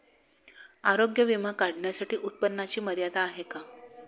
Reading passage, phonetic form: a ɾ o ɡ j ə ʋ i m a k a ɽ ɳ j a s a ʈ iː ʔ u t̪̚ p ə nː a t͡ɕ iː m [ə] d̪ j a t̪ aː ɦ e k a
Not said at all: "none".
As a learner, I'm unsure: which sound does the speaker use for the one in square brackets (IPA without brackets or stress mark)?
ə